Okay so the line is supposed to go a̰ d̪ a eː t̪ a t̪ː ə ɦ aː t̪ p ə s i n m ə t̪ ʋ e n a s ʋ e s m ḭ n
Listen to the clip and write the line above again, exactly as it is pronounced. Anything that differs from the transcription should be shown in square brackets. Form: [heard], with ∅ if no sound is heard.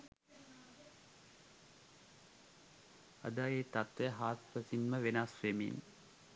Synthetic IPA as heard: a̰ d̪ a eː t̪ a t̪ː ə ɦ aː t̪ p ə s i n m ə [∅] ʋ e n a s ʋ e [∅] m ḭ n